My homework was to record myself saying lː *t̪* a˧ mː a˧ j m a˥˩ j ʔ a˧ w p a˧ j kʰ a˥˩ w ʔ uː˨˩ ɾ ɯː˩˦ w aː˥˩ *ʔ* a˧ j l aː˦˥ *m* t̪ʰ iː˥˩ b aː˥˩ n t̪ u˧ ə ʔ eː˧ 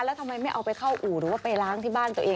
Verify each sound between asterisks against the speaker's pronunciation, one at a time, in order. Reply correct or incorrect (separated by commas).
incorrect, incorrect, incorrect